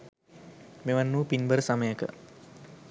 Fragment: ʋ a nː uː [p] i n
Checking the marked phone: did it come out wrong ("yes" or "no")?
no